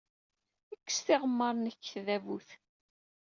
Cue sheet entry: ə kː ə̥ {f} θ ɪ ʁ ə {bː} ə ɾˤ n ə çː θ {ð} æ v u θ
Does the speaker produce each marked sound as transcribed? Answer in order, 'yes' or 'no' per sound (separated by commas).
no, no, yes